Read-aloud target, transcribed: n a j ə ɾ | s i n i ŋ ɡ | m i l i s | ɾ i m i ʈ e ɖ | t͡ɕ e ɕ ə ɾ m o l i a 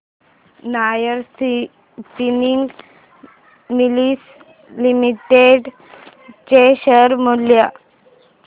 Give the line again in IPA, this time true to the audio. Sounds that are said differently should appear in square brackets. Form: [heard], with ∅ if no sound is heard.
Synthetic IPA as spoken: n a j ə ɾ | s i n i ŋ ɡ | m i l i s | [l] i m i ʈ e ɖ | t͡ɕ e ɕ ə ɾ m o l [j] a